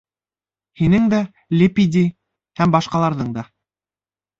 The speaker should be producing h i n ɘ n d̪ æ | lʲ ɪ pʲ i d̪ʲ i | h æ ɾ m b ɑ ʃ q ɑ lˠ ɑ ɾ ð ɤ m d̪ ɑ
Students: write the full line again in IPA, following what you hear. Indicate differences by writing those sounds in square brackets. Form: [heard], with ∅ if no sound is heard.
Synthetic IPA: h i n ɘ [ŋ] d̪ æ | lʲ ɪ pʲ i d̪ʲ i | h æ [∅] m b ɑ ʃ q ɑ lˠ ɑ ɾ ð ɤ [ɴ] d̪ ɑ